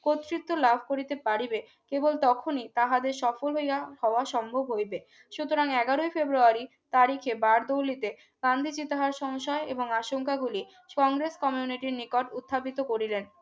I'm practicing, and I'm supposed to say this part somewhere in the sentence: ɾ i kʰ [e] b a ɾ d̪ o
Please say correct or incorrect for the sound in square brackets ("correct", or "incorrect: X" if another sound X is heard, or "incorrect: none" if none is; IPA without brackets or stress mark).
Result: correct